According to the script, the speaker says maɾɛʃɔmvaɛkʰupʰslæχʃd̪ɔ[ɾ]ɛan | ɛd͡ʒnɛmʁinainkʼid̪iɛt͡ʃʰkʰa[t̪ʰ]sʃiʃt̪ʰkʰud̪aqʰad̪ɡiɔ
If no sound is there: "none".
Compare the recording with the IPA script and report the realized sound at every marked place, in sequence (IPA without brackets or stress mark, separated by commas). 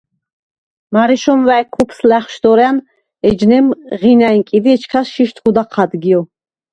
ɾ, none